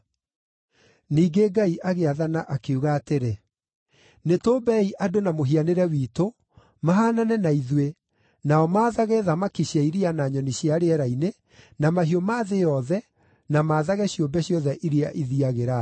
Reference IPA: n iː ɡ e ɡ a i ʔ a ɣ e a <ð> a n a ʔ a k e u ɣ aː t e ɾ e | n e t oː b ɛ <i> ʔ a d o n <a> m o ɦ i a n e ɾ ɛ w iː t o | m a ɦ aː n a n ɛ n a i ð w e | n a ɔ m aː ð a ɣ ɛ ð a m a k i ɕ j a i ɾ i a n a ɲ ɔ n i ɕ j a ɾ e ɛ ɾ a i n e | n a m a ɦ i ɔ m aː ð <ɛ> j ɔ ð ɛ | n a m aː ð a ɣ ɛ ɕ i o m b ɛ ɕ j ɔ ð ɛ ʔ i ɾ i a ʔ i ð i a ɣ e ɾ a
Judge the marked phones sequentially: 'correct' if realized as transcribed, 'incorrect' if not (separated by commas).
correct, correct, correct, incorrect